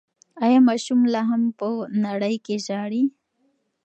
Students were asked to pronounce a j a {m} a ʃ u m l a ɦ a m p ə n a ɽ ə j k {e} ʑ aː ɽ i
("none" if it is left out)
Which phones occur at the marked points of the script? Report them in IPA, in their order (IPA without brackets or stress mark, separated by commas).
m, e